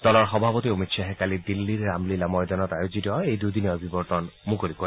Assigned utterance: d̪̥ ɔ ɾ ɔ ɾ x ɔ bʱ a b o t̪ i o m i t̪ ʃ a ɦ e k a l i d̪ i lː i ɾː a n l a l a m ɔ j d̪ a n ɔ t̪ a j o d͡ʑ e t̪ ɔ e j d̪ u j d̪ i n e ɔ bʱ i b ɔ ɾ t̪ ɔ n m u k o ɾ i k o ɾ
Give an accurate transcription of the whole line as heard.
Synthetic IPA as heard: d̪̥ ɔ l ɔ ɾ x ɔ bʱ a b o t̪ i o m i t̪ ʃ a ɦ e k a l i d̪ i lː i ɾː a m l i l a m ɔ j d̪ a n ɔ t̪ a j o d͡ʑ i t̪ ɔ e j d̪ u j d̪ i n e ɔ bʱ i b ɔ ɾ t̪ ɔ n m u k o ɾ i k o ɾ